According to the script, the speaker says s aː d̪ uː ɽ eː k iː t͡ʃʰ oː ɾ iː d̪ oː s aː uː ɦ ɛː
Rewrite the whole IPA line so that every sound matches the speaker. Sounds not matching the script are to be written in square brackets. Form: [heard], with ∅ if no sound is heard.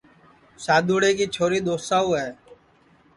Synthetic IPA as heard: s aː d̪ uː ɽ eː k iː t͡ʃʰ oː ɾ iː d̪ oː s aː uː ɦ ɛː